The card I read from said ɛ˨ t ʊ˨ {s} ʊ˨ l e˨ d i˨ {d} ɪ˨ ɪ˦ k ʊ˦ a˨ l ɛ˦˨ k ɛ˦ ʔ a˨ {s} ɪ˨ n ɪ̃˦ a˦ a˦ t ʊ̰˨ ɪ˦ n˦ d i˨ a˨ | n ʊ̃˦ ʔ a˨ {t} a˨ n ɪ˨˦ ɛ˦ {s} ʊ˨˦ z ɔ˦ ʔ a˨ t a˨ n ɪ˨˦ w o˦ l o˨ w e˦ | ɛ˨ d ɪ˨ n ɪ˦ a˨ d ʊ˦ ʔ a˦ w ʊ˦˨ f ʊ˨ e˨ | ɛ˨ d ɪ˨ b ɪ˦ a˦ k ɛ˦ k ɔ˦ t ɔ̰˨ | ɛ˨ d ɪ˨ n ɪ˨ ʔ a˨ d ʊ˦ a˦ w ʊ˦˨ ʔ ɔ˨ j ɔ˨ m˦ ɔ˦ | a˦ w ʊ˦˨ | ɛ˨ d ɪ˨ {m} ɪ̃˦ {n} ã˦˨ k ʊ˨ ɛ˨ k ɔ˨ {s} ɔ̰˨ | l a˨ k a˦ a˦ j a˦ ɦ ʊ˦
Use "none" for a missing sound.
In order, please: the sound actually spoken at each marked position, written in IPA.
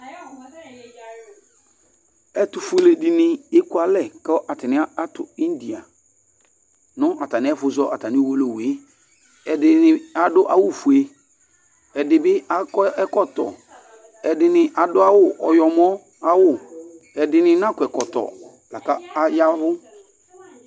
f, n, t, t, f, n, n, t

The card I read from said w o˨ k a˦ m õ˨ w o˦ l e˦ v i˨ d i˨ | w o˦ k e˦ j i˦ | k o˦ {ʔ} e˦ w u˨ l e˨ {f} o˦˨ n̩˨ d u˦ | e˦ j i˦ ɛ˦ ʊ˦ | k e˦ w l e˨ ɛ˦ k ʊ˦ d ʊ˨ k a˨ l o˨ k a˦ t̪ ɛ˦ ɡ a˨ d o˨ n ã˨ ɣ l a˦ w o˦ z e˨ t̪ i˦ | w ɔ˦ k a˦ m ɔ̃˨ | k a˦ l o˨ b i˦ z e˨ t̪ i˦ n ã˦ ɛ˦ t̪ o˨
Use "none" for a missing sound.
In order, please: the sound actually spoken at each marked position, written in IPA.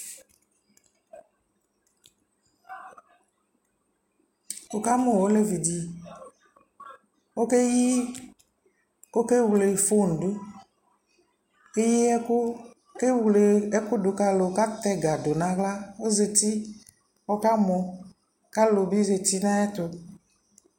k, f

